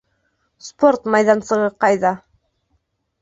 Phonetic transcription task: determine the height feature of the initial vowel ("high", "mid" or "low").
mid